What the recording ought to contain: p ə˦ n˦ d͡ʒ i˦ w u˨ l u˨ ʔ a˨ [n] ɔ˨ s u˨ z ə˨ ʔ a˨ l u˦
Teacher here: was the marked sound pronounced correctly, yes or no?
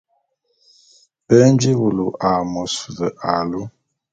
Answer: no